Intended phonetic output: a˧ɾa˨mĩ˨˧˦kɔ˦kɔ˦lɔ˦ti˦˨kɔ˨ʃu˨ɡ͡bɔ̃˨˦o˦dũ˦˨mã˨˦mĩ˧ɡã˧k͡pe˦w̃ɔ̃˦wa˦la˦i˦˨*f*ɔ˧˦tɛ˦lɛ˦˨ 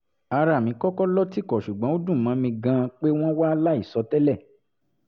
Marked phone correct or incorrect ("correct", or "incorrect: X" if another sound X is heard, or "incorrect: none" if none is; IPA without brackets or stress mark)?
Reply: incorrect: s